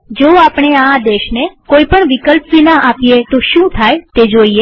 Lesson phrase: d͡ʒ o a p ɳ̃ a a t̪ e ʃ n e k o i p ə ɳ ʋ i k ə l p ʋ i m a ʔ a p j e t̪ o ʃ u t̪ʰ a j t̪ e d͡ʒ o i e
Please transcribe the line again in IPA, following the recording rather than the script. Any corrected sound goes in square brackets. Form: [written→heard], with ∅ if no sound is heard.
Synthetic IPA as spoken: d͡ʒ o a p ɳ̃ [a→e] a [t̪→d̪] e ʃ n e k o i p ə ɳ ʋ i k ə l p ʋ i [m→n] a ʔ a p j e t̪ o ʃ [u→ũ] t̪ʰ a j t̪ e d͡ʒ o i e

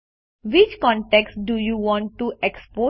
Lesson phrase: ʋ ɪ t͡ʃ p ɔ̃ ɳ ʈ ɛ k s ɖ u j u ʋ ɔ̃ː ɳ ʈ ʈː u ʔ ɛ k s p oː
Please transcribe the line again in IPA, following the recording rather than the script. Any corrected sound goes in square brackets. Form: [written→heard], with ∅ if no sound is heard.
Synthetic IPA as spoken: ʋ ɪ t͡ʃ [p→k] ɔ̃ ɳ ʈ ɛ k s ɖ u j u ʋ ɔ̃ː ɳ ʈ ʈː u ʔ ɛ k s p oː

